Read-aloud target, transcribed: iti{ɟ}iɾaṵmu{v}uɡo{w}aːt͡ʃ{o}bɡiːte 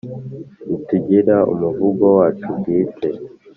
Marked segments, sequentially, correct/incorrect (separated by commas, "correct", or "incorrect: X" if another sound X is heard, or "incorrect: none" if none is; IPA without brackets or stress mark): correct, correct, correct, incorrect: u